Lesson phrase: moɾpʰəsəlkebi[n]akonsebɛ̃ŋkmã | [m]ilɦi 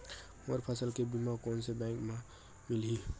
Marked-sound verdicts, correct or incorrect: incorrect: m, correct

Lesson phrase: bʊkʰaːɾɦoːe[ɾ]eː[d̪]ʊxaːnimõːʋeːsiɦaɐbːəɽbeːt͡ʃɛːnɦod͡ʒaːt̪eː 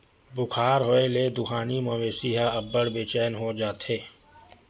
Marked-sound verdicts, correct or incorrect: incorrect: l, correct

